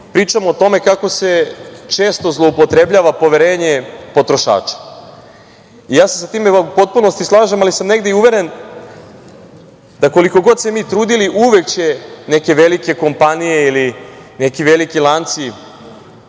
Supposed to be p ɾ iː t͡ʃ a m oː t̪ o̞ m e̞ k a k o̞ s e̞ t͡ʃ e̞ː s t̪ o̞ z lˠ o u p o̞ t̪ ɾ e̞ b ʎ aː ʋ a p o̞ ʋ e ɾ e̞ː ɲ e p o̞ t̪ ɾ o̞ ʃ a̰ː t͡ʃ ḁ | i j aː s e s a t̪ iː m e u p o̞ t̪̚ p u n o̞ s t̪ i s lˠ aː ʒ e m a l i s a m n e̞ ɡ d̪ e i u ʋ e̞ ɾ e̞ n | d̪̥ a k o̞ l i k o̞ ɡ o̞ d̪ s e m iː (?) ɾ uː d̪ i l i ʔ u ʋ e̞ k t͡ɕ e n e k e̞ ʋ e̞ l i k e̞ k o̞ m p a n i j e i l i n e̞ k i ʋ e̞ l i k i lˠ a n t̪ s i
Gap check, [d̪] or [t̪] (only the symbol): t̪